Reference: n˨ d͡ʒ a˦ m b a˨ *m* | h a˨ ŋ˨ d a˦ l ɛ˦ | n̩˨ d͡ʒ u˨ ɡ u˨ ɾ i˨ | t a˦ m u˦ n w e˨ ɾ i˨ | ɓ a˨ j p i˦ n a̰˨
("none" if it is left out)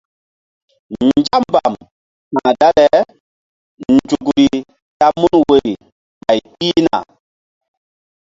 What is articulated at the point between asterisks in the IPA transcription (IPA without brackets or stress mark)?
m